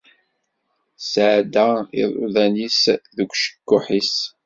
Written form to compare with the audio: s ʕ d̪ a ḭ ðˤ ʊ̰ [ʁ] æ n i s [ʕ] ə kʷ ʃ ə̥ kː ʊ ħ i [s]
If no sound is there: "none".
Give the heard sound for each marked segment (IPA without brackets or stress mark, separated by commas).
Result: ð, ð, s